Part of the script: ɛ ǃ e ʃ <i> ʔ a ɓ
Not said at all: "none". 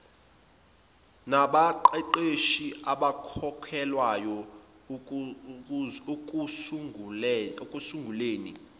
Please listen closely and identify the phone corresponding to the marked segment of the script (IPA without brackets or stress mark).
i